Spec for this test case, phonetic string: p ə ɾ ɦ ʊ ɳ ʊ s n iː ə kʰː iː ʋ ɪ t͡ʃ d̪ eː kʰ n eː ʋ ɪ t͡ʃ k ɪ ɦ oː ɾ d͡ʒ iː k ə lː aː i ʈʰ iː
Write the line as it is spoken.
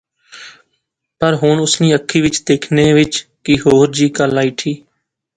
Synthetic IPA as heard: p ə ɾ ɦ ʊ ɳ ʊ s n iː ə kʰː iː ʋ ɪ t͡ʃ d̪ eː kʰ n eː ʋ ɪ t͡ʃ k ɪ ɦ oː ɾ d͡ʒ iː k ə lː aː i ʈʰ iː